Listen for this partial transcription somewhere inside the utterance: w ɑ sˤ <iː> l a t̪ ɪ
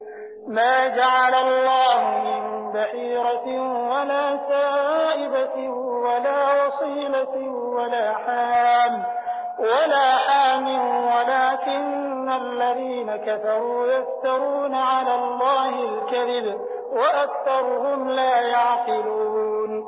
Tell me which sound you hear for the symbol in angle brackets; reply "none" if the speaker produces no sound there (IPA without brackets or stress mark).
iː